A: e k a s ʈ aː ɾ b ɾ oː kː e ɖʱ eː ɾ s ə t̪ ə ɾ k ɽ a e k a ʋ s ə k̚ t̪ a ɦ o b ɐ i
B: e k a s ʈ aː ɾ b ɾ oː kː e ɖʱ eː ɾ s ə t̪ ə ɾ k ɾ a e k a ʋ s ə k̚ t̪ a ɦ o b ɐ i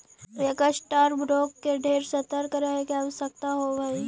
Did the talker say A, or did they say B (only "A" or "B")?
B